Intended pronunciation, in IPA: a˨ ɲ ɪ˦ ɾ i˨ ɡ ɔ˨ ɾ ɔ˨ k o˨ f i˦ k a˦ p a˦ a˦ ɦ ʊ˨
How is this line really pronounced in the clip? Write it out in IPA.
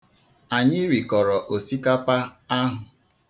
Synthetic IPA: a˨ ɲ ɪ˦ ɾ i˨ k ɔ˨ ɾ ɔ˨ ʔ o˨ s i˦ k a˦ p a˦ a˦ ɦ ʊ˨